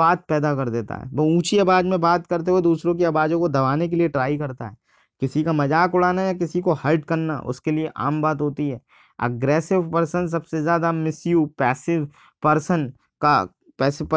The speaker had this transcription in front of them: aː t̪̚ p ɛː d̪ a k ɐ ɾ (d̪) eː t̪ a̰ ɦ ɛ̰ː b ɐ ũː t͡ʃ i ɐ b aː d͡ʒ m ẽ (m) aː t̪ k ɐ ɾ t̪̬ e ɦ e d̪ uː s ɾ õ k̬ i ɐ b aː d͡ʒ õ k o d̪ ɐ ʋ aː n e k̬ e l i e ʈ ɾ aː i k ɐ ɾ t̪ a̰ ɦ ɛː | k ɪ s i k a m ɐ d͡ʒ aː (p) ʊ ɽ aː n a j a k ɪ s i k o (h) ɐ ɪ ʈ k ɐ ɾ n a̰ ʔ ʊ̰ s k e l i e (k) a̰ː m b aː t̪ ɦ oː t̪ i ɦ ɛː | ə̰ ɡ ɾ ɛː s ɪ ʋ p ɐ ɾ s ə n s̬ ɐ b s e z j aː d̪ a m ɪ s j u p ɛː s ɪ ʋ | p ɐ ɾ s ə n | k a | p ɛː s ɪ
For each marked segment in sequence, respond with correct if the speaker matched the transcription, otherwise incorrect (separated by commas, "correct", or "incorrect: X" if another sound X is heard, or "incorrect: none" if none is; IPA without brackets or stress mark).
correct, incorrect: b, incorrect: k, correct, incorrect: ʔ